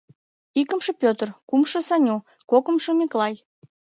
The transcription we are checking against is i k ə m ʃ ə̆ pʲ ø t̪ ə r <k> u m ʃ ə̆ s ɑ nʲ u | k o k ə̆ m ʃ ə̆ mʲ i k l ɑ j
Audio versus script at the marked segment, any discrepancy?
no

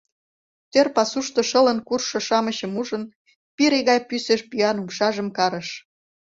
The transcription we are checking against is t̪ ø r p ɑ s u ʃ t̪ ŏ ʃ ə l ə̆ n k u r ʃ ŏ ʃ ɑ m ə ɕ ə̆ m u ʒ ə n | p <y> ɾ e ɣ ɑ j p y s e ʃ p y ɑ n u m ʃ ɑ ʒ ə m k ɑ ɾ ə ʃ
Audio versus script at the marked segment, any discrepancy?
yes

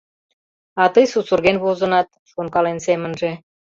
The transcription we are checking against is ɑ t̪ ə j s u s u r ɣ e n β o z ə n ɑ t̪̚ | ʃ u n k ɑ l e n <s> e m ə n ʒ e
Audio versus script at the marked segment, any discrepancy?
no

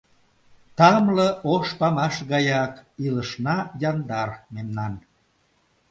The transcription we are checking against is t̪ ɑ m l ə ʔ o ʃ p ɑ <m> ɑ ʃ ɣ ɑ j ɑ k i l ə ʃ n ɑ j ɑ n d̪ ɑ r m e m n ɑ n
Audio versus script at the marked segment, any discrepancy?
no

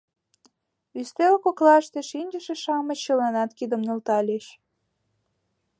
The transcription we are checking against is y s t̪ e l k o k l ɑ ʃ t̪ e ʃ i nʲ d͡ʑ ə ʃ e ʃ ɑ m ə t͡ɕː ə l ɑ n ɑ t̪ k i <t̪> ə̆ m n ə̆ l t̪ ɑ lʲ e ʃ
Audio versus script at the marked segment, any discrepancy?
yes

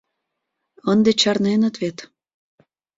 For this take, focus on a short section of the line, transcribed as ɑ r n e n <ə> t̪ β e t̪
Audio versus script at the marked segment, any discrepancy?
no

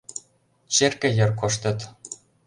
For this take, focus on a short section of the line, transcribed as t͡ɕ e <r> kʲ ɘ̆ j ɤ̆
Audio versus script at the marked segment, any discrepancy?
no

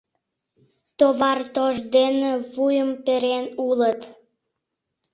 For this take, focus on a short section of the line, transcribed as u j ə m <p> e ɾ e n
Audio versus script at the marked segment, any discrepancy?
no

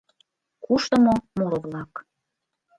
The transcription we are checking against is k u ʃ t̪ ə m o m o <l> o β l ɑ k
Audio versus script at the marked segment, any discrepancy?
yes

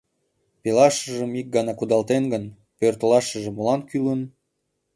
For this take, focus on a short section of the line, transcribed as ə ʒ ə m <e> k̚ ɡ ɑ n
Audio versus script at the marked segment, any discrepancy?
yes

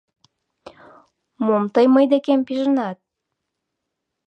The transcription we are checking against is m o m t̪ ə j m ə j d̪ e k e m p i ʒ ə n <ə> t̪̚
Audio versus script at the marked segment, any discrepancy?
yes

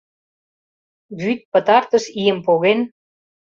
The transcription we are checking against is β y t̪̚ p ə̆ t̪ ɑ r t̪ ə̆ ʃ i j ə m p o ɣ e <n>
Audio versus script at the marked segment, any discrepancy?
no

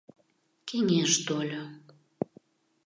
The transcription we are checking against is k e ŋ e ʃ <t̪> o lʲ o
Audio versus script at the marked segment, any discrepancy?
no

